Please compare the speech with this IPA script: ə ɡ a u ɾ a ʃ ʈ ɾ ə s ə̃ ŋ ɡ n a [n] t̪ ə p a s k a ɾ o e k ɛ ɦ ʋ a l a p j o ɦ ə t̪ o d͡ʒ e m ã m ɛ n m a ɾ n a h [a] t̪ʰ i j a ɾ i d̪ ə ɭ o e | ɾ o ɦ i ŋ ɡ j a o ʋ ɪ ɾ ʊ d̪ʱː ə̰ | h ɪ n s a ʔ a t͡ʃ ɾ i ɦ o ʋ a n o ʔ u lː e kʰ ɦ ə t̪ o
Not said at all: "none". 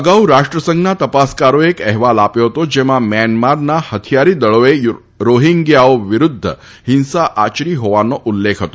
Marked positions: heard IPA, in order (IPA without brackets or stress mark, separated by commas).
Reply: none, ə